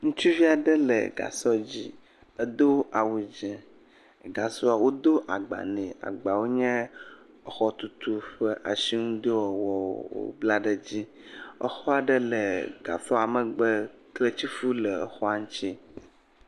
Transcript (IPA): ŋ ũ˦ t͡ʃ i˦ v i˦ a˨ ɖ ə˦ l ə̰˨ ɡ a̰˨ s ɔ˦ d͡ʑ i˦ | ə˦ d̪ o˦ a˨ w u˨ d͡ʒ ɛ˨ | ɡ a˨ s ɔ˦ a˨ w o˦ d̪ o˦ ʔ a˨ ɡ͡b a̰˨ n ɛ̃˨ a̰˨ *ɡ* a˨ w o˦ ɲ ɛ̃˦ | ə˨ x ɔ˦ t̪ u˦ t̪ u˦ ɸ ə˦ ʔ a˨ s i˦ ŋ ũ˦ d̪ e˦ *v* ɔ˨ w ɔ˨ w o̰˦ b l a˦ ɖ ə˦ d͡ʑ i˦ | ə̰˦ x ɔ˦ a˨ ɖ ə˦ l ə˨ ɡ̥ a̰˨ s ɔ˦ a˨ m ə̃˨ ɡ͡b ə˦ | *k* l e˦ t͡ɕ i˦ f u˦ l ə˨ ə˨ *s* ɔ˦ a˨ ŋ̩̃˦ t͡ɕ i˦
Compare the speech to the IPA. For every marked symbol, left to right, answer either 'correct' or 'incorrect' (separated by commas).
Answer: incorrect, incorrect, correct, incorrect